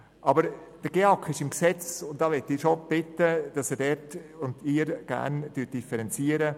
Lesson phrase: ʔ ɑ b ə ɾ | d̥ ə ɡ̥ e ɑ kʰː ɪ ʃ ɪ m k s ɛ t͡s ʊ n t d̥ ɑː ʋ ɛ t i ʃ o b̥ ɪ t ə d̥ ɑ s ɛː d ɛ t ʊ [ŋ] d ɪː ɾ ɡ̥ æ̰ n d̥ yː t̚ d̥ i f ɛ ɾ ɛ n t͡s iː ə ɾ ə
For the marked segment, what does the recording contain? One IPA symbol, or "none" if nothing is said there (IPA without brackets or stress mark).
n